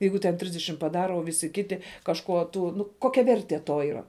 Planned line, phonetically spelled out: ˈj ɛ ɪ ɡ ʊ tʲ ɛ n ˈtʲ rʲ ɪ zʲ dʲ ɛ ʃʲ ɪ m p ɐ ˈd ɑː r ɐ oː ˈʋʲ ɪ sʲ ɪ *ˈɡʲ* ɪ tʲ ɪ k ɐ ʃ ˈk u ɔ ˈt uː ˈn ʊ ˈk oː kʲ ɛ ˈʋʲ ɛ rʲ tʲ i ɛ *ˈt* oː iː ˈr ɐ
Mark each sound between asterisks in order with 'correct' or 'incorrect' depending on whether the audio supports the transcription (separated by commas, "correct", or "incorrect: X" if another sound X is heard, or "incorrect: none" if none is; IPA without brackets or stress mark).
incorrect: kʲ, correct